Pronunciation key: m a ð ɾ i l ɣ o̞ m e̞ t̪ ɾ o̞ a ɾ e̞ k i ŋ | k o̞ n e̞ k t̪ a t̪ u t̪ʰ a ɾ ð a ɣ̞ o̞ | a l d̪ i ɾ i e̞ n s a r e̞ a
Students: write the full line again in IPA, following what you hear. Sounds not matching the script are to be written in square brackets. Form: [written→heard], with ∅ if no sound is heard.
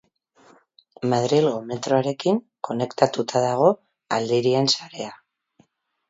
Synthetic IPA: m a ð ɾ i l ɣ o̞ m e̞ t̪ ɾ o̞ a ɾ e̞ k i ŋ | k o̞ n e̞ k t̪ a t̪ u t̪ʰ a [ɾ→∅] ð a ɣ̞ o̞ | a l d̪ i ɾ i e̞ n s a [r→ɾ] e̞ a